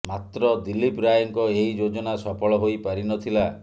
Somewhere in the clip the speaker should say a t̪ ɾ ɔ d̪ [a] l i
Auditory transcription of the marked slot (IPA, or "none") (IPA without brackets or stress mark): i